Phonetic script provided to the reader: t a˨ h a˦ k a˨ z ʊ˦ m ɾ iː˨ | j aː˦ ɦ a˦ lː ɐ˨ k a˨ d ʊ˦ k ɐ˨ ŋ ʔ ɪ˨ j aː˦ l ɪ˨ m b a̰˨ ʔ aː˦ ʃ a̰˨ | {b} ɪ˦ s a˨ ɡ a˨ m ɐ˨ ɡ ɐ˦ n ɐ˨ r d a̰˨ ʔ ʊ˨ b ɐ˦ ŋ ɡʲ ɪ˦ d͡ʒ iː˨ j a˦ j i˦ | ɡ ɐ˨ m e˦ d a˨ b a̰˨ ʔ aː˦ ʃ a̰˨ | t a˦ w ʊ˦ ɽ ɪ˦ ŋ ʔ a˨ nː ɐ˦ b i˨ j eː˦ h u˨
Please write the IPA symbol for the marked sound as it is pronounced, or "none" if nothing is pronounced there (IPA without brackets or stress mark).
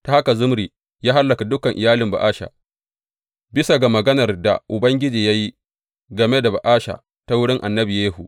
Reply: b